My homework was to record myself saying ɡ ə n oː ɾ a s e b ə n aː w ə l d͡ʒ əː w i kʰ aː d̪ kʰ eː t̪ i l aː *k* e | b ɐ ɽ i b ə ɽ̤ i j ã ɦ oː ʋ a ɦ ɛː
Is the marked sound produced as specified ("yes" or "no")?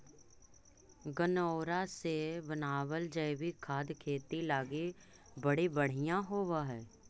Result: no